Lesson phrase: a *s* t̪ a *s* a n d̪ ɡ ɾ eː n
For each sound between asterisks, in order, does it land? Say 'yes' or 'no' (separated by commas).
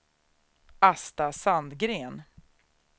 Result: yes, yes